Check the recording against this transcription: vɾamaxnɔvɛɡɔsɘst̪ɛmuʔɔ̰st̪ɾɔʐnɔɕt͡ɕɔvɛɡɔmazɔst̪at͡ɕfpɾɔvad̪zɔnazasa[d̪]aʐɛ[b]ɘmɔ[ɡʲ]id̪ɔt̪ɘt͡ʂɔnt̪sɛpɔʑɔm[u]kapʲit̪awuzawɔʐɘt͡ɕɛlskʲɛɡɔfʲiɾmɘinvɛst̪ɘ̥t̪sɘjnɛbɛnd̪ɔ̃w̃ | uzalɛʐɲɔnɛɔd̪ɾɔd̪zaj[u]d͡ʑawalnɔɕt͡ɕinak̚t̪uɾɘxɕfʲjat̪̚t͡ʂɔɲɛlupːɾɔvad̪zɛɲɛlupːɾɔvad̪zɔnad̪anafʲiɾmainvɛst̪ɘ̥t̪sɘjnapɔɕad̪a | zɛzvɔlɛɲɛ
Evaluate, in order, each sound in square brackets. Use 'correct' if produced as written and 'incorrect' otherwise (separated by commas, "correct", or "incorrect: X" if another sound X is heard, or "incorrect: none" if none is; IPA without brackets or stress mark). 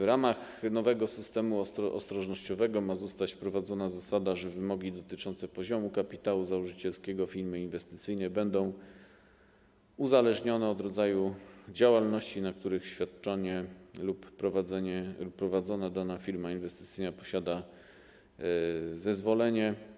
correct, incorrect: v, correct, correct, correct